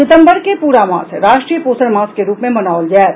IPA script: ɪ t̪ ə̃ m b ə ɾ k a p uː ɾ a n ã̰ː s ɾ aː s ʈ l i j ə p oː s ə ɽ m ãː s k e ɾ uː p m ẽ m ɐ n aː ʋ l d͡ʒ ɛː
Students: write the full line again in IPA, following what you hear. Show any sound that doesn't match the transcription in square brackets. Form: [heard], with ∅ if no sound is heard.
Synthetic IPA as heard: ɪ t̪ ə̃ m b ə ɾ k [e] p uː ɾ a [m] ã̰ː s ɾ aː [ʃ] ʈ [ɾ] i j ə p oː s ə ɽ m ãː s k e ɾ uː p m ẽ m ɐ n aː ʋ l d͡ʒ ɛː